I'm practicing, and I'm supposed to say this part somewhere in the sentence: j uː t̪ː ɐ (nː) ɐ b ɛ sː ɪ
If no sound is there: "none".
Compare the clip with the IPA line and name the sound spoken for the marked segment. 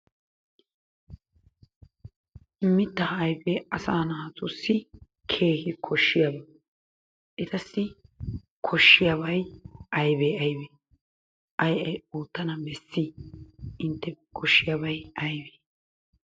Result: n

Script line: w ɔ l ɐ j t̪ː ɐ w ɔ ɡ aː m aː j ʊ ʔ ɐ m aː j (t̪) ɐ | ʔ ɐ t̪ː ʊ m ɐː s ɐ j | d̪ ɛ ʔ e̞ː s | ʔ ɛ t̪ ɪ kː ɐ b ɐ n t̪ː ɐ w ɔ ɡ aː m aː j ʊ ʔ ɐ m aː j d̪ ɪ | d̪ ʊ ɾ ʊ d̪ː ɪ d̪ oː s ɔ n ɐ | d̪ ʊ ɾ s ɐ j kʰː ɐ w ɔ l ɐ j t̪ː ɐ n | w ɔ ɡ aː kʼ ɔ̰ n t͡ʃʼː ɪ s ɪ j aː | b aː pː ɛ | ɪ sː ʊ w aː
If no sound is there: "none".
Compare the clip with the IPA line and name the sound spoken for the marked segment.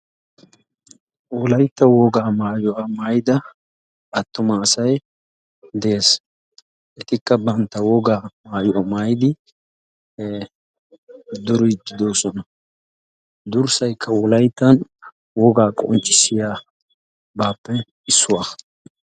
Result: d̪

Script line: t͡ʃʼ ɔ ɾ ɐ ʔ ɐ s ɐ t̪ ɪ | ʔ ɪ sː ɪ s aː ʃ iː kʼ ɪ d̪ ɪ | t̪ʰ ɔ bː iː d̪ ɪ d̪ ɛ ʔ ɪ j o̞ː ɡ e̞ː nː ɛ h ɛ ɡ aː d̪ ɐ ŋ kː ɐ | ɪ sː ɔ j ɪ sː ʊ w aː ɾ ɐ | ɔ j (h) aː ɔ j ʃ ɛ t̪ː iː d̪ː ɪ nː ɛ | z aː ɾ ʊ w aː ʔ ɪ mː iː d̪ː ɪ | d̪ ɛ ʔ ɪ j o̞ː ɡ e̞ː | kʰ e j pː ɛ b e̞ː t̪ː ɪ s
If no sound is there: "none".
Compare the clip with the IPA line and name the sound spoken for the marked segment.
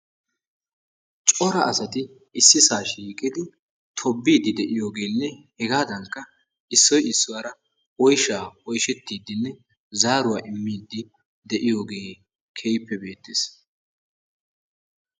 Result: ʃ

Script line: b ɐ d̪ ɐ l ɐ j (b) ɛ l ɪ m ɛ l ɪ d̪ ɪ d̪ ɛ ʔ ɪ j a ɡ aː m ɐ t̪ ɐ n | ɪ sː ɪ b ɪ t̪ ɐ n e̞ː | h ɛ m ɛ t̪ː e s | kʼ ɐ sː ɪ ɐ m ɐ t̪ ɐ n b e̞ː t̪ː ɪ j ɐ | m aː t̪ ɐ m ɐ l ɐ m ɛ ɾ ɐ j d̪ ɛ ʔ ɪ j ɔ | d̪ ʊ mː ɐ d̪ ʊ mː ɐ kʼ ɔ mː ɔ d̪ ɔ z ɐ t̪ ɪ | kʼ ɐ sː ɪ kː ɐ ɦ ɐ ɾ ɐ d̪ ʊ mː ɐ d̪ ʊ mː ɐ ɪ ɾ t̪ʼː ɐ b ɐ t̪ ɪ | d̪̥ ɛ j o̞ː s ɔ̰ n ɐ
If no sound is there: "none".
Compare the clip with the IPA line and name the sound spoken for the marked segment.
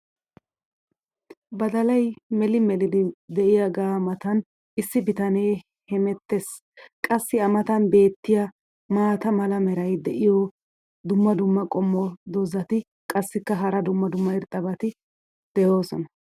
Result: m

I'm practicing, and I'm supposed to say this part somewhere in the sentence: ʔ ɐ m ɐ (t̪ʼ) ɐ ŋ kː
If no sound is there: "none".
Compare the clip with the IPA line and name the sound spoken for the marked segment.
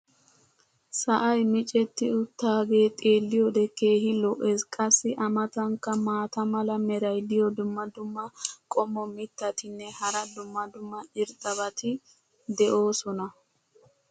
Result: t̪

